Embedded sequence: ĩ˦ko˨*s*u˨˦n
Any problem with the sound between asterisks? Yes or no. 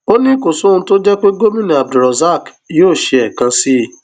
no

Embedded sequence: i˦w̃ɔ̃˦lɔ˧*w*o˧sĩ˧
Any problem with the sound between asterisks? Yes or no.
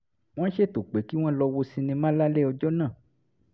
no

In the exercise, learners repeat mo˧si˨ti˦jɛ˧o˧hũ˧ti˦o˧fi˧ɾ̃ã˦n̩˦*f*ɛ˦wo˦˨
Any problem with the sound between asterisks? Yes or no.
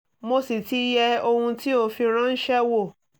yes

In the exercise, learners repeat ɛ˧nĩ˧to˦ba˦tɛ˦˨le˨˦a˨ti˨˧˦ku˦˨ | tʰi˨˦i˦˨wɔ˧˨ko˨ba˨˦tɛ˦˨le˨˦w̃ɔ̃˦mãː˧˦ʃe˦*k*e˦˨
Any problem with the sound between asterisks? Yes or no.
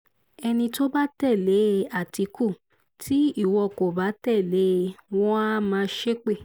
yes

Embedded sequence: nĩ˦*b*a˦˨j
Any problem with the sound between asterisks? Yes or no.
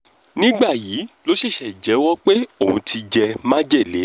yes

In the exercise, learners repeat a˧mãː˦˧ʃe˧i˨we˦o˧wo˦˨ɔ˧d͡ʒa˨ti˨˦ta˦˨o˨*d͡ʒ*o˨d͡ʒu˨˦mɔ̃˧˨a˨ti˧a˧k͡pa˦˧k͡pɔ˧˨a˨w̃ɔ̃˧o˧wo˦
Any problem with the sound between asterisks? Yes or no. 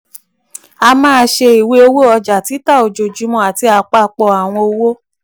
no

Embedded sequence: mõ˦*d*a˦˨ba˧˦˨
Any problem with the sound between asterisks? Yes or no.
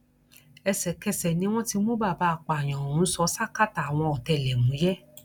yes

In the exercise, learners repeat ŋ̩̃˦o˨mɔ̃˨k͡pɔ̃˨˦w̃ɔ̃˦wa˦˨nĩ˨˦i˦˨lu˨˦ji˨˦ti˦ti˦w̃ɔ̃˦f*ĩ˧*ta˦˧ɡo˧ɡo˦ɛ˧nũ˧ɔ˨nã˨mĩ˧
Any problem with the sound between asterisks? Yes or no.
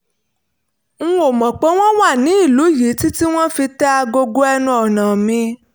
yes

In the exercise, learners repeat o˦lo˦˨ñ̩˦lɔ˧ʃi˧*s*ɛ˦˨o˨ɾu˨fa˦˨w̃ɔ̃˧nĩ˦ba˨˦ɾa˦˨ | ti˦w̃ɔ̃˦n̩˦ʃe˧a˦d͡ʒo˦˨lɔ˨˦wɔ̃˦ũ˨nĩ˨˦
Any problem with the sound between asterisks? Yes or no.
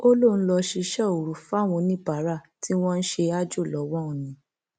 yes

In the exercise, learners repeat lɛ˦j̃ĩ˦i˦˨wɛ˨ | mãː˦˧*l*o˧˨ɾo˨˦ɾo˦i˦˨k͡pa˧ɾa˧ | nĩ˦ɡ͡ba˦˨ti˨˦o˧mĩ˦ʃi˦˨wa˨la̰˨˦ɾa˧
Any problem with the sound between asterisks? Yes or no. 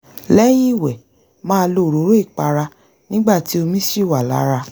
no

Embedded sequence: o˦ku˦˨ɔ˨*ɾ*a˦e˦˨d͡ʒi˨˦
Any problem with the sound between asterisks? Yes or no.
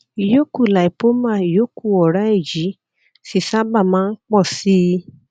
no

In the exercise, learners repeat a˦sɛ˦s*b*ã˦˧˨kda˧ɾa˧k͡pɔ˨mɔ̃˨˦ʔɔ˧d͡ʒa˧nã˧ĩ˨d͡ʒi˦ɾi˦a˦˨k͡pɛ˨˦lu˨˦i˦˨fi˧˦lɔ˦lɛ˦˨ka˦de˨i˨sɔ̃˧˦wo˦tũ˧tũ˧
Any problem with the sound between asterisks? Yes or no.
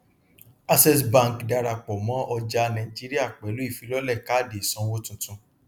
no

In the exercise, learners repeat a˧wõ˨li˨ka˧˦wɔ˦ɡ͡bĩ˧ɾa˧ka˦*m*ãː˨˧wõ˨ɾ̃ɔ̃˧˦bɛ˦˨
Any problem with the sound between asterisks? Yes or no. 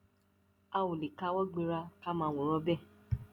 no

